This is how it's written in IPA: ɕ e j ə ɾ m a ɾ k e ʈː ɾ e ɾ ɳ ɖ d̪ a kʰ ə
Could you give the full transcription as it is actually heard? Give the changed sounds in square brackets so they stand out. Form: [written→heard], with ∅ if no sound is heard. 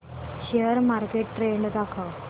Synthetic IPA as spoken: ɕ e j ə ɾ m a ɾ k e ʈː ɾ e [ɾ→∅] ɳ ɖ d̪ a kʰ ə